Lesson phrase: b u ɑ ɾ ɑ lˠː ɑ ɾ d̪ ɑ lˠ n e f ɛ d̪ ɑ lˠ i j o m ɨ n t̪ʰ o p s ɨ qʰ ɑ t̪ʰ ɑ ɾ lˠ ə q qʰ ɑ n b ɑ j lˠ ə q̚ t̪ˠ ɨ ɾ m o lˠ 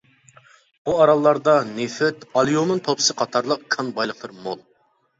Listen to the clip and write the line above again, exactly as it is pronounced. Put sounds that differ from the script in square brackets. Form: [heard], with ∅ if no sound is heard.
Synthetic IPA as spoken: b u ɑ ɾ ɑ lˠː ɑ ɾ d̪ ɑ [∅] n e f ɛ [t̪] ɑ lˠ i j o m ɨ n t̪ʰ o p s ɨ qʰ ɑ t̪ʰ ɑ ɾ lˠ ə q [kʰ] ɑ n b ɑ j lˠ ə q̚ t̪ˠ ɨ ɾ m o lˠ